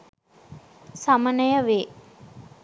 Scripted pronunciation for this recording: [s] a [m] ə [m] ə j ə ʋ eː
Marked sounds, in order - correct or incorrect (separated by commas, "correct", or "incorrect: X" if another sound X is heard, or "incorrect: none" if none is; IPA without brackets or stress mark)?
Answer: correct, correct, incorrect: n